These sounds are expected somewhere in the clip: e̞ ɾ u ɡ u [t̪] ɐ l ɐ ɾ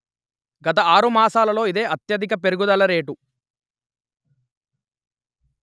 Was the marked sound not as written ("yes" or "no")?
yes